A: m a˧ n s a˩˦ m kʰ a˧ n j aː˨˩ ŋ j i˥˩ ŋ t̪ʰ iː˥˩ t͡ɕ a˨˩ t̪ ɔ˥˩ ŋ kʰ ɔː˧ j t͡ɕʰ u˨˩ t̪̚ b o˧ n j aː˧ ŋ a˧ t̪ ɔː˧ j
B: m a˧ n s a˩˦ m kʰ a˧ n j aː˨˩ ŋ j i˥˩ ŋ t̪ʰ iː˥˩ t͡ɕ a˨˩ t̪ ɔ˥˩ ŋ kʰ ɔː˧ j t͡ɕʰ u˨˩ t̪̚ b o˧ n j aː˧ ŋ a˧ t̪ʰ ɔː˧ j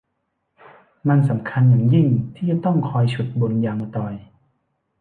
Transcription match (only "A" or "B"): A